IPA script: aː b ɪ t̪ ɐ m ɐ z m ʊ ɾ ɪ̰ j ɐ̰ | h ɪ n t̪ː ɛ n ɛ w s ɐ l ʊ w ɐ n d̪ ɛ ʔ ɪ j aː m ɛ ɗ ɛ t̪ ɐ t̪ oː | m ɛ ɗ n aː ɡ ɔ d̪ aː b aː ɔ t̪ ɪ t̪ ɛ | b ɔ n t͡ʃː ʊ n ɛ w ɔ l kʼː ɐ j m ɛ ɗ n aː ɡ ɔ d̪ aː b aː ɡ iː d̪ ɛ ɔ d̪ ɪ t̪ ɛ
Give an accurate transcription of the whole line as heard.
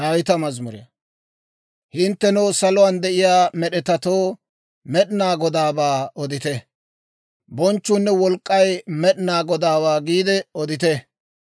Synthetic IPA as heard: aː w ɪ t̪ ɐ m ɐ z m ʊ ɾ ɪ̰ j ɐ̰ | h ɪ n t̪ː ɛ n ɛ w s ɐ l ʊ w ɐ n d̪ ɛ ʔ ɪ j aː m ɛ ɗ ɛ t̪ ɐ t̪ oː | m ɛ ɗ n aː ɡ ɔ d̪ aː b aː ɔ d̪ ɪ t̪ ɛ | b ɔ n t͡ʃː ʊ nː ɛ w ɔ l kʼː ɐ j m ɛ ɗ n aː ɡ ɔ d̪ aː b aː ɡ iː d̪ ɛ ɔ d̪ ɪ t̪ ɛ